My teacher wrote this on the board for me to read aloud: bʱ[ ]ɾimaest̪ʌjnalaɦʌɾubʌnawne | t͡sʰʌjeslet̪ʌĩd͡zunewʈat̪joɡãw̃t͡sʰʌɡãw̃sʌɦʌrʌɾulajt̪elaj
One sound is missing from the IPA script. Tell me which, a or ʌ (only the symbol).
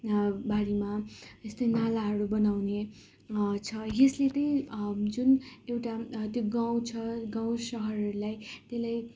a